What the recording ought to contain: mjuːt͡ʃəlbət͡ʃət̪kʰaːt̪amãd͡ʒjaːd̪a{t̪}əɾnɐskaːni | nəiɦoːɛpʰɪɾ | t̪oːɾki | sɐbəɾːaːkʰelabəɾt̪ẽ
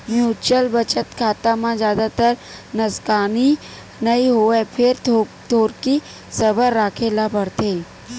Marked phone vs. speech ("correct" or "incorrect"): correct